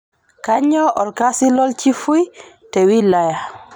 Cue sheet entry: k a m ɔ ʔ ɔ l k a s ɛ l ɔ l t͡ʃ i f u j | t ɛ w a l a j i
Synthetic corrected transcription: k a ɲ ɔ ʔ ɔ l k a s i l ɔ l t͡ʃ i f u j | t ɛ w i l a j a